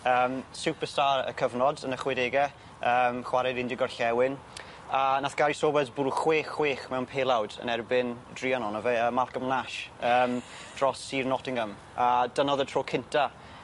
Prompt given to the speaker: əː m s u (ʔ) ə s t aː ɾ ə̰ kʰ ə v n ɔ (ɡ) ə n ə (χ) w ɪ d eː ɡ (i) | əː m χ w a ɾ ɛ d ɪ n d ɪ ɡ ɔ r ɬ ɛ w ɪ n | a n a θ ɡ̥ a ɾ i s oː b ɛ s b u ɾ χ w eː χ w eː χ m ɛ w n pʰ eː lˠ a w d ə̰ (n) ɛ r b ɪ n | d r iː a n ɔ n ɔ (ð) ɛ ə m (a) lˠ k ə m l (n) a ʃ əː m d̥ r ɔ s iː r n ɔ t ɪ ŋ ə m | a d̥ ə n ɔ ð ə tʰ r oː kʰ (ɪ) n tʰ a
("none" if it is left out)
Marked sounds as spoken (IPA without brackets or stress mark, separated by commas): p, d, χ, ɛ, n, v, a, n, ɪ